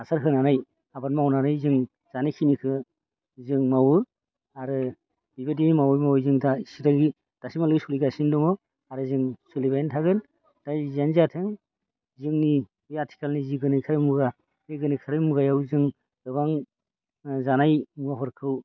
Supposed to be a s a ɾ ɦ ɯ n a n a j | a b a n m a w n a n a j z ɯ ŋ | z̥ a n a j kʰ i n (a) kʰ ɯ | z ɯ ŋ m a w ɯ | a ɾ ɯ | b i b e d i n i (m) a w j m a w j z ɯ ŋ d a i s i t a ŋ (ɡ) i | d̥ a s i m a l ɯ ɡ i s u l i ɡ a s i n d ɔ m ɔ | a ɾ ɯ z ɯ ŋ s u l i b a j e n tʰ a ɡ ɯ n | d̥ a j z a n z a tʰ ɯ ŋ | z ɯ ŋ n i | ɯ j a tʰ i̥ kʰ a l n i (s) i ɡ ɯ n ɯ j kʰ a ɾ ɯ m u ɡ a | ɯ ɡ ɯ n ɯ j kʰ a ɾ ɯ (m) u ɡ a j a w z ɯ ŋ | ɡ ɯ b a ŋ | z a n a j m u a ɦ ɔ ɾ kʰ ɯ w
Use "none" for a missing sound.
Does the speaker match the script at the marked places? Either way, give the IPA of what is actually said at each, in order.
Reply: i, m, ɡ, z, m

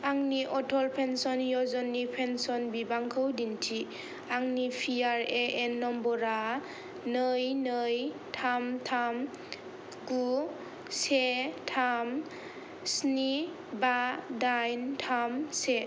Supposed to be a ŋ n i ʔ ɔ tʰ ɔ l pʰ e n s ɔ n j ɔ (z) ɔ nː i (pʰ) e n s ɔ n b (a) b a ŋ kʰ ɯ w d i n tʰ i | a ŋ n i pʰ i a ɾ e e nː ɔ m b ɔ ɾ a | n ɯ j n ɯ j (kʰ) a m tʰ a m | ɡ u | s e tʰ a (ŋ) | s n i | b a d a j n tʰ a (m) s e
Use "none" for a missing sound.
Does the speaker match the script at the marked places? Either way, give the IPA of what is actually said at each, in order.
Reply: z, pʰ, i, tʰ, m, m

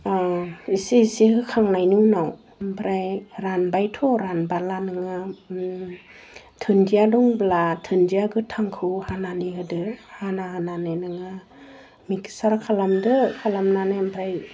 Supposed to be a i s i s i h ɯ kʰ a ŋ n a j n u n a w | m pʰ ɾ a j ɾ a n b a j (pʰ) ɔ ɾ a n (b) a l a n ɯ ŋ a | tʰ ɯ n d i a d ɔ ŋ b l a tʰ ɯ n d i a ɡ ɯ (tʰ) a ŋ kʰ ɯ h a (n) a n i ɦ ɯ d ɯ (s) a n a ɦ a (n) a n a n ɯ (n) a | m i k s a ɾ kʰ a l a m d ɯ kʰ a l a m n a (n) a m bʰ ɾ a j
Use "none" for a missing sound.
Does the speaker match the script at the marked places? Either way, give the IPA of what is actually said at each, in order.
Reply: tʰ, b, tʰ, n, h, n, ŋ, n

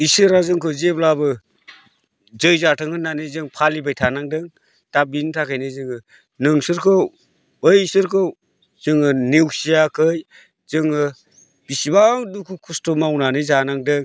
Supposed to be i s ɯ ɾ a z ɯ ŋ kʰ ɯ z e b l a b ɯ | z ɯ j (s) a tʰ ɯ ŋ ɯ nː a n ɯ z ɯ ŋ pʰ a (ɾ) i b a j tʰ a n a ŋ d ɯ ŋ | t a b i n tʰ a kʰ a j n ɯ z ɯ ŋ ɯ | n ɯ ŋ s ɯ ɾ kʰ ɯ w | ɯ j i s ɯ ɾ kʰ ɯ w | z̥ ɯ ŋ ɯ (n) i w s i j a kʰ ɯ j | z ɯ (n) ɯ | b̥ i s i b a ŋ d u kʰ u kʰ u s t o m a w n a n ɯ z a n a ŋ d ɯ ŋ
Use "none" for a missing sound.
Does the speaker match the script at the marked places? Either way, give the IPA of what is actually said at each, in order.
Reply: z, l, n, ŋ

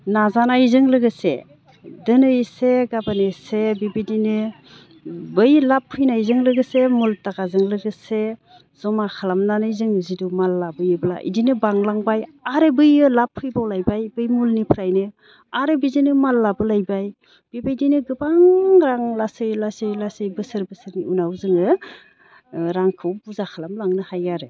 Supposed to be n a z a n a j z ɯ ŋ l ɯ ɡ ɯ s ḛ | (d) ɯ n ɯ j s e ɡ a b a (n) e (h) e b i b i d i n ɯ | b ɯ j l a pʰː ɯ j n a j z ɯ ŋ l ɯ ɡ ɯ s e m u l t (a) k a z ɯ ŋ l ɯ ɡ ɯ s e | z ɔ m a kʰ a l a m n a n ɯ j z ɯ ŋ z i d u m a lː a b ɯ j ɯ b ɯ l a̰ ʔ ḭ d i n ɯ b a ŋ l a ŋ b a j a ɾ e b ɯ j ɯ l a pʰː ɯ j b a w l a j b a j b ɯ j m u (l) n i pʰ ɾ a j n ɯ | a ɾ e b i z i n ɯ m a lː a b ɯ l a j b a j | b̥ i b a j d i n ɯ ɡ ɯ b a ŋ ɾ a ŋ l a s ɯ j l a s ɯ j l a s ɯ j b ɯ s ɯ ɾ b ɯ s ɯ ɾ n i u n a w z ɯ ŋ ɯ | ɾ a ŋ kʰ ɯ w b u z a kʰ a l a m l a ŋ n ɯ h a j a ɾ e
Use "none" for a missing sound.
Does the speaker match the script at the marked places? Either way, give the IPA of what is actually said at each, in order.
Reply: d, n, s, a, l

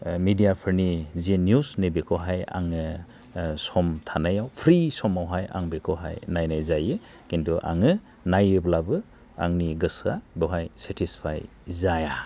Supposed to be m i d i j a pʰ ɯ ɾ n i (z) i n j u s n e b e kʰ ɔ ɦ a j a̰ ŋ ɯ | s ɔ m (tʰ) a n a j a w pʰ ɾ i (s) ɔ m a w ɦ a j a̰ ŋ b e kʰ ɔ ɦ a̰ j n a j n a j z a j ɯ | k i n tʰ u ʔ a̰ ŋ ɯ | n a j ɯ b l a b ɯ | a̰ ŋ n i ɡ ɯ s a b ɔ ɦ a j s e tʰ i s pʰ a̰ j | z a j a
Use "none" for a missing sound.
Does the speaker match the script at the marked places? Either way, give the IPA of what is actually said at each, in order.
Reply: z, tʰ, s

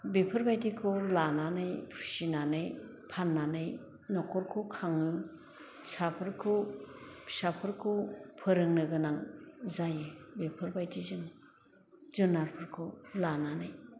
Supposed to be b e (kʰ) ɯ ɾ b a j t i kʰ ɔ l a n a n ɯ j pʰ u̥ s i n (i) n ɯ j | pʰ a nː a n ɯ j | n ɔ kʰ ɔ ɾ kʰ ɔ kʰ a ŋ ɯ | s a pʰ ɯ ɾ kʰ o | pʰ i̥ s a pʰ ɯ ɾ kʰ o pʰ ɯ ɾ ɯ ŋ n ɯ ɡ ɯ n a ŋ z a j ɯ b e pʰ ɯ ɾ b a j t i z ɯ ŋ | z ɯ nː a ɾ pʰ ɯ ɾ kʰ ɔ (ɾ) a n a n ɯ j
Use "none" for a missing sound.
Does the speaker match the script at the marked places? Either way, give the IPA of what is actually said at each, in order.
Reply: pʰ, a, l

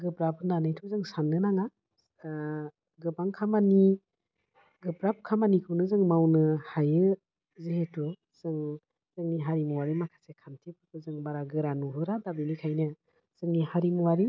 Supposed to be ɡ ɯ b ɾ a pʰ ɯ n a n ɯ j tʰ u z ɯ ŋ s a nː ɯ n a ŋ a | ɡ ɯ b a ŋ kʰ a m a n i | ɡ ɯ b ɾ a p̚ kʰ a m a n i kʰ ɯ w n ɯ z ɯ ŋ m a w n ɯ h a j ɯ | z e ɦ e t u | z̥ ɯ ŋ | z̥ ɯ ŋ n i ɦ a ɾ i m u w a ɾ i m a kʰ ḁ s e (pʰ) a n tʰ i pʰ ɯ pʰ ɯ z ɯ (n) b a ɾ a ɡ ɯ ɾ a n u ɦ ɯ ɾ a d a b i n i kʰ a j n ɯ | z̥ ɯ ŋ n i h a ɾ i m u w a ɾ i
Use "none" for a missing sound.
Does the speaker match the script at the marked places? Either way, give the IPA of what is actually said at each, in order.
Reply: kʰ, ŋ

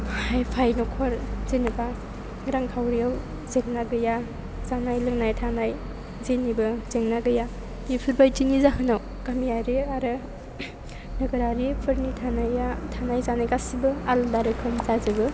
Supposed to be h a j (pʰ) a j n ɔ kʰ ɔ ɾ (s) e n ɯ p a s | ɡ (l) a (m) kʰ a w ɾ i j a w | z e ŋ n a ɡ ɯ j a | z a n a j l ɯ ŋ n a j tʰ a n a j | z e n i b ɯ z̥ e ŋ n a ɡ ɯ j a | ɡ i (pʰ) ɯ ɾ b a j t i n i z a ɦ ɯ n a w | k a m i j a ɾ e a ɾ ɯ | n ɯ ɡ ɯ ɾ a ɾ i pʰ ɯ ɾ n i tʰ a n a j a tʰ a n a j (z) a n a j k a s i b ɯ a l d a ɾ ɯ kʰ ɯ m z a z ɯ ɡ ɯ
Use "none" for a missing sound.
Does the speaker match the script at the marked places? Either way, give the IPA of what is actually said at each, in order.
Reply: pʰ, z, ɾ, ŋ, pʰ, z

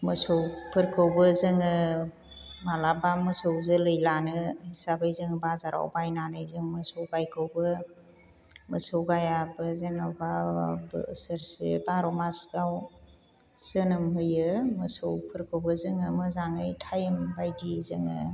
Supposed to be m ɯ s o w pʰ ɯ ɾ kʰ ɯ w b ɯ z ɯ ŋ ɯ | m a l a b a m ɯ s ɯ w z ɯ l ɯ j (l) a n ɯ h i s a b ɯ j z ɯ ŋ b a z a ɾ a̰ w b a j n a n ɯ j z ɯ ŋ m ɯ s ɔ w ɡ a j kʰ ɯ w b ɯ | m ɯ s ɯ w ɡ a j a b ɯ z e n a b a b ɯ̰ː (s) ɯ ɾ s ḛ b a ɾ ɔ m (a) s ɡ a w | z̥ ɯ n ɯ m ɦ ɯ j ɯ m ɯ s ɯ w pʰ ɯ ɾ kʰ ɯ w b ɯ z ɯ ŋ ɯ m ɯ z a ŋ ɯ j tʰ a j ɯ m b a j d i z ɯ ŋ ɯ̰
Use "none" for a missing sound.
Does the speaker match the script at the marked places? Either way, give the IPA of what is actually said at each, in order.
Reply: l, s, a

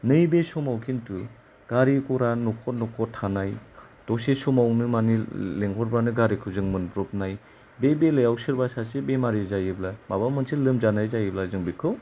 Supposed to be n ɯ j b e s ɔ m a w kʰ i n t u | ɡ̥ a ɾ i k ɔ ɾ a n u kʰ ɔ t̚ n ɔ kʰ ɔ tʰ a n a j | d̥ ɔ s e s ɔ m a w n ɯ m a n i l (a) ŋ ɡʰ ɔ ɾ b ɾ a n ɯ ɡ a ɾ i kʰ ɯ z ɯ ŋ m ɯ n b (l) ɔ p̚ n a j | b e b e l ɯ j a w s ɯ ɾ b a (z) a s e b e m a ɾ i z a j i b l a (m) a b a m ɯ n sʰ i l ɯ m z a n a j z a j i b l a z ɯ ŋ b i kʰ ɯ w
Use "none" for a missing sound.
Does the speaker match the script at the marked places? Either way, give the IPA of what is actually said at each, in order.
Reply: e, ɾ, s, m

